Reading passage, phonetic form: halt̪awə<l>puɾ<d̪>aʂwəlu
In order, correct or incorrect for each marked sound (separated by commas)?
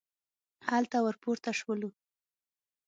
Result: incorrect, incorrect